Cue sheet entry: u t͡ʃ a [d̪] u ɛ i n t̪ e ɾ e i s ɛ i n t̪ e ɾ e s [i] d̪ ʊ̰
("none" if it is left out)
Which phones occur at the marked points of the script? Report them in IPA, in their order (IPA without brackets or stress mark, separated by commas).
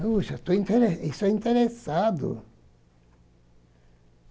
t̪, a